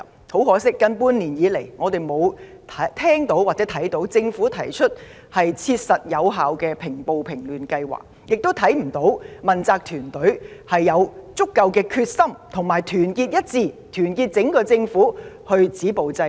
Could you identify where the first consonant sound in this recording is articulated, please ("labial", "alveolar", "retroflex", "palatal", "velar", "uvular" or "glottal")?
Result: glottal